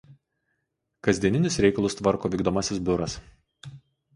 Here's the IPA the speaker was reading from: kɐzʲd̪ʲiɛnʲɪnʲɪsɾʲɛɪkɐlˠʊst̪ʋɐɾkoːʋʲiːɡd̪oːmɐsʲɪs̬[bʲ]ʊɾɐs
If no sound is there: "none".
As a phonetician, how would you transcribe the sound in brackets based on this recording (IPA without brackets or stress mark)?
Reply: bʲ